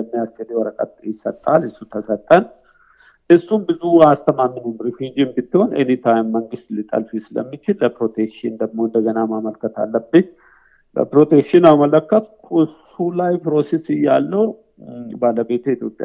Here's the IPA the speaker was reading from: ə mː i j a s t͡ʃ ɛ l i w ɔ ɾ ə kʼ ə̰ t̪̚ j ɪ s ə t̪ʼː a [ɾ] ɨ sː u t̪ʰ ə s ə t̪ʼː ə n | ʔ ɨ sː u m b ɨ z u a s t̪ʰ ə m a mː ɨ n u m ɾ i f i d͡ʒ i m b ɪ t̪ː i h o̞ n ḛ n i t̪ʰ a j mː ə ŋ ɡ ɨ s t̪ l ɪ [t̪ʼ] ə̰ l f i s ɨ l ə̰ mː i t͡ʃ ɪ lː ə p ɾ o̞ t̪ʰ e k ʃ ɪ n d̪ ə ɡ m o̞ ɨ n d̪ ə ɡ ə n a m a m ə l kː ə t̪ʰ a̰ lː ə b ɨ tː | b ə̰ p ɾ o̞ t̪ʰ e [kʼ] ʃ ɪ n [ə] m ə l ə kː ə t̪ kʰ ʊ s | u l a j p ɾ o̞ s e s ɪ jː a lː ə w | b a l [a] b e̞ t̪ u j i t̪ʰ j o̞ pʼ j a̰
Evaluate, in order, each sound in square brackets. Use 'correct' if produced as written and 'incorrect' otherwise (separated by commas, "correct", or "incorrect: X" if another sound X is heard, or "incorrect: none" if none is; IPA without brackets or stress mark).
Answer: incorrect: l, correct, incorrect: k, incorrect: a, incorrect: ə